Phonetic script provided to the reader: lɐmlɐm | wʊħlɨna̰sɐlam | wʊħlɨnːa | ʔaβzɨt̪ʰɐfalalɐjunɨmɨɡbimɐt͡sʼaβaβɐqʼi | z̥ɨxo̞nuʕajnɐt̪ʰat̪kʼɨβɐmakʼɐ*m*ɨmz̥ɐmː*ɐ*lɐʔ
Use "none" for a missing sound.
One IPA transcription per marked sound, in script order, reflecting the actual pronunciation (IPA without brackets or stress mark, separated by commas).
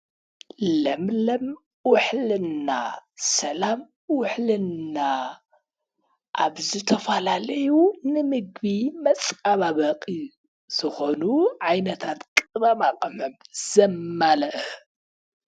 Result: m, a